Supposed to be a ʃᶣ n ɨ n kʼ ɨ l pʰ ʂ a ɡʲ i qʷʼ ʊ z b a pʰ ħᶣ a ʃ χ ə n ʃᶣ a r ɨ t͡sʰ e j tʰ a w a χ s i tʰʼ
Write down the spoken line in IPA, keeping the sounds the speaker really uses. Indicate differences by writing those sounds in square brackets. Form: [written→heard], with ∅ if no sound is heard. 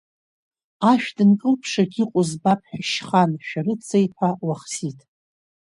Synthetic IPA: a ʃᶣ [n→d] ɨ n kʼ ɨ l pʰ ʂ a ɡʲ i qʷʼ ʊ z b a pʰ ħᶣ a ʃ χ [ə→a] n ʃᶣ a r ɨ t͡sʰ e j [tʰ→pʰ] a w a χ s i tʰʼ